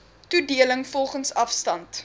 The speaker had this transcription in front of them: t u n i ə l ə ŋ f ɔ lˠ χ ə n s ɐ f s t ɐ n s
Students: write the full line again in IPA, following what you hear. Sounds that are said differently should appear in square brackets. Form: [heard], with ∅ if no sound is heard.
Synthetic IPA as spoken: t u [d] i ə l ə ŋ f ɔ lˠ χ ə n s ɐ f s t ɐ n [t]